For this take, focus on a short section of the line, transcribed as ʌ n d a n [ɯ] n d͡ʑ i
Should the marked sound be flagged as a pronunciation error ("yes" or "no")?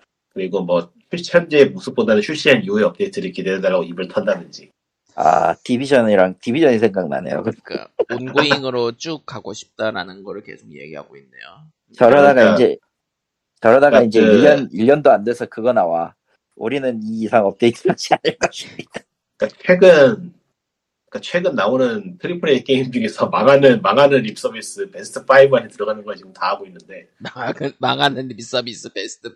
no